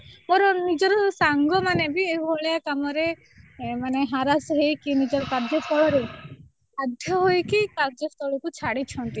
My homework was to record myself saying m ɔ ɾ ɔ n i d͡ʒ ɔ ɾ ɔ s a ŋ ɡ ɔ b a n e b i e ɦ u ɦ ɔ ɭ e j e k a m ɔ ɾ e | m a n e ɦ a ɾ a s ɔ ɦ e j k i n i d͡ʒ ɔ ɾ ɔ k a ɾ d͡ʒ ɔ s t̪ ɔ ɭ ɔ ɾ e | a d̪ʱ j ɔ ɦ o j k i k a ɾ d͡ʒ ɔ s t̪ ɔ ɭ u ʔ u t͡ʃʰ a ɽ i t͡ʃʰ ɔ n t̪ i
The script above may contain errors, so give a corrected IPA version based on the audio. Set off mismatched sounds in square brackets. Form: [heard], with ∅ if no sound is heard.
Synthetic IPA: m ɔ ɾ ɔ n i d͡ʒ ɔ ɾ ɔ s a ŋ ɡ ɔ [m] a n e b i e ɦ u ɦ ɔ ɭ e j [a] k a m ɔ ɾ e | m a n e ɦ a ɾ a s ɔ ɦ e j k i n i d͡ʒ ɔ ɾ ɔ k a ɾ d͡ʒ ɔ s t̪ ɔ ɭ ɔ ɾ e | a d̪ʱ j ɔ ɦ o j k i k a ɾ d͡ʒ ɔ s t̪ ɔ ɭ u [k] u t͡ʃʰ a ɽ i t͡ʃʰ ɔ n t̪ i

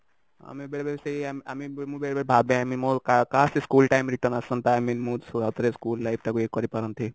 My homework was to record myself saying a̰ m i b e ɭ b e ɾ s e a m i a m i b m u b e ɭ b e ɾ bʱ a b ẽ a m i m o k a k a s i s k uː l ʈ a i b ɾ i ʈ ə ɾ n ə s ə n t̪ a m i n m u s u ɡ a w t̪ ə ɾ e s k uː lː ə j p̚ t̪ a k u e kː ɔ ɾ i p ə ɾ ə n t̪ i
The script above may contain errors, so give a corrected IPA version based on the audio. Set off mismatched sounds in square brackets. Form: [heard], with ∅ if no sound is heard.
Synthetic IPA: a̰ m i b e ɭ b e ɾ s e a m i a m i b m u b e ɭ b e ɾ bʱ a b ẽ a m i m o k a k a s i s k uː l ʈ a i [m] ɾ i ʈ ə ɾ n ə s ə n t̪ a m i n m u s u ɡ a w t̪ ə ɾ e s k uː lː [a] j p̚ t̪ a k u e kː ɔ ɾ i p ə ɾ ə n t̪ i

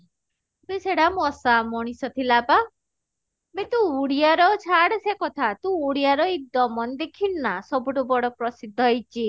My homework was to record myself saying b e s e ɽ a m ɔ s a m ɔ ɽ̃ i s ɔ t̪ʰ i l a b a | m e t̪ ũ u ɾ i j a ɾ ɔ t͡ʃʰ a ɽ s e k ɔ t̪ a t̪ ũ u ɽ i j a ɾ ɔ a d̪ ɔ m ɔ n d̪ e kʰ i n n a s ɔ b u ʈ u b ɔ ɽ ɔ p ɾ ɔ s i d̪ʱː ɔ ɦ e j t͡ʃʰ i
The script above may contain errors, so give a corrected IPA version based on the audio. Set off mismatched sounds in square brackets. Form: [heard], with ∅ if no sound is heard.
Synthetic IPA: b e s e ɽ a m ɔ s a m ɔ ɽ̃ i s ɔ t̪ʰ i l a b a | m e t̪ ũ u [ɽ] i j a ɾ ɔ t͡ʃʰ a ɽ s e k ɔ [t̪ʰ] a t̪ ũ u ɽ i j a ɾ ɔ [i] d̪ ɔ m ɔ n d̪ e kʰ i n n a s ɔ b u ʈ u b ɔ ɽ ɔ p ɾ ɔ s i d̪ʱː ɔ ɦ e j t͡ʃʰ i

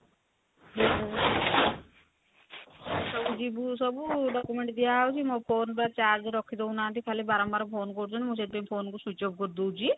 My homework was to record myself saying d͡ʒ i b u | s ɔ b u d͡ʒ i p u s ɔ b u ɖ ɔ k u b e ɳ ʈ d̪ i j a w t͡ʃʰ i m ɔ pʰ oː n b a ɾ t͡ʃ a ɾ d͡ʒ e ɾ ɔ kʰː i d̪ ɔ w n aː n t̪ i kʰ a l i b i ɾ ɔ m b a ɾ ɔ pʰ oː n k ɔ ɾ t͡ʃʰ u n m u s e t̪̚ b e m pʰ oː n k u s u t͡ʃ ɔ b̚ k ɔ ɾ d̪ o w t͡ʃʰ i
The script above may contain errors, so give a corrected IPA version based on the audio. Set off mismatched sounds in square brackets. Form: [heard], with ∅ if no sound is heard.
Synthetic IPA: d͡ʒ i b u | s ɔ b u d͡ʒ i [b] u s ɔ b u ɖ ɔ k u [m] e ɳ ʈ d̪ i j a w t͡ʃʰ i m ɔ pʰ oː n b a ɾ t͡ʃ a ɾ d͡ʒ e ɾ ɔ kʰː i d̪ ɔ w n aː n t̪ i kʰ a l i b [a] ɾ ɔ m b a ɾ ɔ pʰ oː n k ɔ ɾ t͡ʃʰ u n m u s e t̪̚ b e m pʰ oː n k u s u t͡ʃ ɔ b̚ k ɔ ɾ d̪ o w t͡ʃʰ i

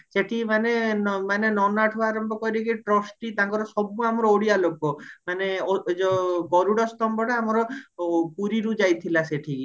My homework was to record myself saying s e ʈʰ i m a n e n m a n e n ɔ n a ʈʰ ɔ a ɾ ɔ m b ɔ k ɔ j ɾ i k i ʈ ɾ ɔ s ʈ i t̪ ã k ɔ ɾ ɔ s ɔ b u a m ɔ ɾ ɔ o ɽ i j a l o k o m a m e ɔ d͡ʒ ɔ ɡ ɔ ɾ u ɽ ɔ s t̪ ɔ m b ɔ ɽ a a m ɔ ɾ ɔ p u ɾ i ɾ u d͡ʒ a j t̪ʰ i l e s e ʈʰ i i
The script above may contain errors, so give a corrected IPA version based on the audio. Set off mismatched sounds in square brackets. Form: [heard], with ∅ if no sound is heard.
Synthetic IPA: s e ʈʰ i m a n e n m a n e n ɔ n a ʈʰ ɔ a ɾ ɔ m b ɔ k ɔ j ɾ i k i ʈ ɾ ɔ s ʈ i t̪ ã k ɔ ɾ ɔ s ɔ b u a m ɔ ɾ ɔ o ɽ i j a l o k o m a [n] e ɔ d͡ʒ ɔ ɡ ɔ ɾ u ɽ ɔ s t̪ ɔ m b ɔ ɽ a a m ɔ ɾ ɔ p u ɾ i ɾ u d͡ʒ a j t̪ʰ i l [a] s e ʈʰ i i

